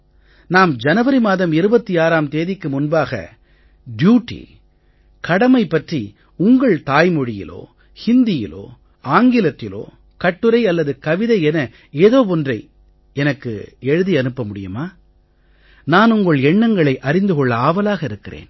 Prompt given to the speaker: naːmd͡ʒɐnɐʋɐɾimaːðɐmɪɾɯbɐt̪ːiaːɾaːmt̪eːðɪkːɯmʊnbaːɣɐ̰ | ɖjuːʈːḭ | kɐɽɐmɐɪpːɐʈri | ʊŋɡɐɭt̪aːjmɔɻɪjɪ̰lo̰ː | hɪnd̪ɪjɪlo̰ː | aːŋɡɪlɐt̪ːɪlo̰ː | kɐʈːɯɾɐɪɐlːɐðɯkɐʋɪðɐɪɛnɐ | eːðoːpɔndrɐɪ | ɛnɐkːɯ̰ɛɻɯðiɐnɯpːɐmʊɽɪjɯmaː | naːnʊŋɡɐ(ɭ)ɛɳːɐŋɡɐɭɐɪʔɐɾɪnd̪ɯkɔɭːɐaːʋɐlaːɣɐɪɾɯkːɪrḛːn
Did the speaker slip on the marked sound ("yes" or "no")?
no